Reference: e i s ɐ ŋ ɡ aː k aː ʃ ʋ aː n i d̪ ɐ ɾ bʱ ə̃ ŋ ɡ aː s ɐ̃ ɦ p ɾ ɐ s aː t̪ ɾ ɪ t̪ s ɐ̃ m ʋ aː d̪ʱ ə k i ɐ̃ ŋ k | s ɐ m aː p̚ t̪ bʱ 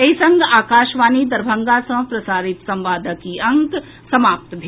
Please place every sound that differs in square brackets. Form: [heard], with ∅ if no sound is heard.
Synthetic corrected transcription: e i s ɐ ŋ ɡ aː k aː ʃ ʋ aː n i d̪ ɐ ɾ bʱ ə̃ ŋ ɡ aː s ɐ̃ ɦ p ɾ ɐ s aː [∅] ɾ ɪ t̪ s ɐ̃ m ʋ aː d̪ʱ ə k i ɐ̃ ŋ k | s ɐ m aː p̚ t̪ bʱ